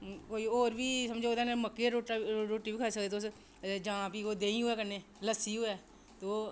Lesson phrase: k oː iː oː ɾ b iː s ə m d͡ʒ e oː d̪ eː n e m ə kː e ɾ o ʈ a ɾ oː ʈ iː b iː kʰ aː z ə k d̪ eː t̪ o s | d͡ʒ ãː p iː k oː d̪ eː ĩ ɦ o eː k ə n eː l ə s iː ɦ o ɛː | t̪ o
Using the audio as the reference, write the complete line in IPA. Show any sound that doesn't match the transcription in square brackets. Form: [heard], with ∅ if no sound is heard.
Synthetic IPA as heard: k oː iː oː ɾ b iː s ə m d͡ʒ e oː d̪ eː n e m ə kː e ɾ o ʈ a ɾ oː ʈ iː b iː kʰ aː [s] ə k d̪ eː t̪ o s | d͡ʒ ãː p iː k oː d̪ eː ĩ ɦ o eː k ə n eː l ə s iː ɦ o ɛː | t̪ o

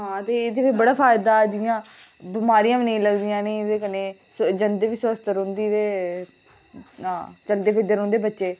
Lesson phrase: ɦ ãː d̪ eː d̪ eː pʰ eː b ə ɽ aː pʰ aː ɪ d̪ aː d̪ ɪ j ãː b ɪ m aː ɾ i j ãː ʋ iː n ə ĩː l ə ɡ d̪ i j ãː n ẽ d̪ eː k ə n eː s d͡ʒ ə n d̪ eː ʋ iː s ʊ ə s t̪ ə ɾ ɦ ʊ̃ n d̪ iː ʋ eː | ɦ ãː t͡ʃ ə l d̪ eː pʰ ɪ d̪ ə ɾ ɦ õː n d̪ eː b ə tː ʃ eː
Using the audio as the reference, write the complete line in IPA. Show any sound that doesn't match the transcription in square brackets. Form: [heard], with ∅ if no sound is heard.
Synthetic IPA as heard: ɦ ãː [t̪] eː d̪ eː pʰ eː b ə ɽ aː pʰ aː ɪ d̪ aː d̪ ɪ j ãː b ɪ m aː ɾ i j ãː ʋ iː n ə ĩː l ə ɡ d̪ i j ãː n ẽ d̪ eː k ə n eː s d͡ʒ ə n d̪ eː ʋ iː s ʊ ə s t̪ ə ɾ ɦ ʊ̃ n d̪ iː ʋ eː | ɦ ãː t͡ʃ ə l d̪ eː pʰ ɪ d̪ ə ɾ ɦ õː n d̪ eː b ə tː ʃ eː

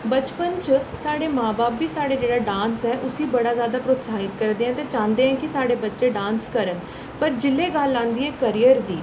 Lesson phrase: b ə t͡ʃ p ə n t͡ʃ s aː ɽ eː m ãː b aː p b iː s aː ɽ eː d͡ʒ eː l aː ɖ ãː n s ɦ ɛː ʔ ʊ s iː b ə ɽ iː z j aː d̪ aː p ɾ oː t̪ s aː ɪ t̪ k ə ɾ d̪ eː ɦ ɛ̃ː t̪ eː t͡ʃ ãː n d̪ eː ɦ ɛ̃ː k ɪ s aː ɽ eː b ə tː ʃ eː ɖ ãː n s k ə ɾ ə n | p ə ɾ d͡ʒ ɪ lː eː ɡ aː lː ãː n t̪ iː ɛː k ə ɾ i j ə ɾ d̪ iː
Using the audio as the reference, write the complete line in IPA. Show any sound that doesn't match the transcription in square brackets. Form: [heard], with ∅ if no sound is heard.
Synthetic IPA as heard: b ə t͡ʃ p ə n t͡ʃ s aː ɽ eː m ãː b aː p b iː s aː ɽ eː d͡ʒ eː [ɽ] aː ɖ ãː n s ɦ ɛː ʔ ʊ s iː b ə ɽ [aː] z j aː d̪ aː p ɾ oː t̪ s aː ɪ t̪ k ə ɾ d̪ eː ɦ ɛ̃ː t̪ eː t͡ʃ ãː n d̪ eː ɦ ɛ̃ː k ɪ s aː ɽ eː b ə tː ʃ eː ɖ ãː n s k ə ɾ ə n | p ə ɾ d͡ʒ ɪ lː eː ɡ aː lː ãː n [d̪] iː ɛː k ə ɾ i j ə ɾ d̪ iː

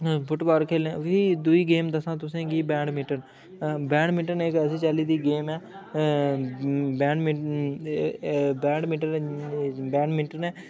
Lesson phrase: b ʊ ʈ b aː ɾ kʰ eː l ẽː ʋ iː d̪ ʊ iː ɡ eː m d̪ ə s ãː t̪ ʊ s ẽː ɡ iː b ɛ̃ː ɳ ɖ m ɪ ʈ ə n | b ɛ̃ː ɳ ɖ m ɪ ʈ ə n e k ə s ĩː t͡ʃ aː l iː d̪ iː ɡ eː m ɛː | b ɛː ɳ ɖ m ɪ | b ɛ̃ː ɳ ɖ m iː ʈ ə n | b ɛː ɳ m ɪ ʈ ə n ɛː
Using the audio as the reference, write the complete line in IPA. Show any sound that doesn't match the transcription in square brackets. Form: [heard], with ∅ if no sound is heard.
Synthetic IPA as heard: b ʊ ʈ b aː ɾ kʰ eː l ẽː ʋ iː d̪ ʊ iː ɡ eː m d̪ ə s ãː t̪ ʊ s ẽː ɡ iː b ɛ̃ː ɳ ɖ m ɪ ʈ ə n | b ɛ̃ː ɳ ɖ m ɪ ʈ ə n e k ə s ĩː t͡ʃ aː l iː d̪ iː ɡ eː m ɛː | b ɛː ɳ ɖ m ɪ | b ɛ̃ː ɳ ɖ m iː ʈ ə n | b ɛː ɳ m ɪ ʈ ə n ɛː

